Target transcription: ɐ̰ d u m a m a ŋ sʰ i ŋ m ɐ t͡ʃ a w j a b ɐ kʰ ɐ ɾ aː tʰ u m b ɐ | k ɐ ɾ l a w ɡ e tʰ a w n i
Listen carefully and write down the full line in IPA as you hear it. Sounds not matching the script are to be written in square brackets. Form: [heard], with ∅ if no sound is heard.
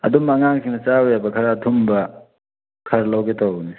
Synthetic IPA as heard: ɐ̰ d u m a [ŋ] a ŋ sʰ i ŋ [n] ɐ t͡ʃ a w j a b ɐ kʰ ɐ ɾ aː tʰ u m b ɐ | [kʰ] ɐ ɾ l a w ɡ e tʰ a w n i